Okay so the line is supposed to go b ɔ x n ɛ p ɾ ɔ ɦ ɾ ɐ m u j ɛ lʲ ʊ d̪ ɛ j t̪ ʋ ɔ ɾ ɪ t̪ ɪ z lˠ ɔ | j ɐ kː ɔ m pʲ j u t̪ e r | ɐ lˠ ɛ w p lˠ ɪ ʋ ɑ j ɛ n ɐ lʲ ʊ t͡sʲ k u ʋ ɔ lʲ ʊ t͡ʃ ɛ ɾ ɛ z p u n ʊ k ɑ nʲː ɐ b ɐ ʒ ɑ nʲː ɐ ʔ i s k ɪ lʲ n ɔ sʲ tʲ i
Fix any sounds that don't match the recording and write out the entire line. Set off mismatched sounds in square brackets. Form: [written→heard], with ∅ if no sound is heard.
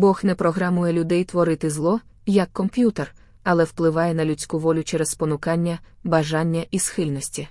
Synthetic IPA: b ɔ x n ɛ p ɾ ɔ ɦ ɾ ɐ m u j ɛ lʲ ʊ d̪ ɛ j t̪ ʋ ɔ ɾ ɪ t̪ ɪ z lˠ ɔ | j ɐ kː ɔ m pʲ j u t̪ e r | ɐ lˠ ɛ w p lˠ ɪ ʋ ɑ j ɛ n ɐ lʲ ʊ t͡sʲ k u ʋ ɔ lʲ ʊ t͡ʃ ɛ ɾ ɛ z p [u→ɔ] n ʊ k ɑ nʲː ɐ b ɐ ʒ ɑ nʲː ɐ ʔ i s [k→x] ɪ lʲ n ɔ sʲ tʲ i